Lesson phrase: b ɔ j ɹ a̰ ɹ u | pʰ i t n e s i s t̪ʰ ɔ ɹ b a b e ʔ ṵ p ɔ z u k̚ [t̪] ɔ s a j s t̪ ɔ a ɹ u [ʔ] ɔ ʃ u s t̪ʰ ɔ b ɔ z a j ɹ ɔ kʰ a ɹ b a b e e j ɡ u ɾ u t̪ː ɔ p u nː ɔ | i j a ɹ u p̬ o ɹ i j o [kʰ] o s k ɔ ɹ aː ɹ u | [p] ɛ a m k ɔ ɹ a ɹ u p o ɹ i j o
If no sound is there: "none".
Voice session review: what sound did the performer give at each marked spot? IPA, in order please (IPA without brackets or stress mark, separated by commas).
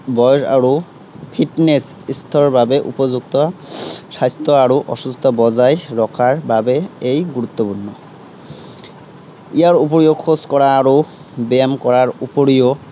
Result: t̪, ʔ, kʰ, b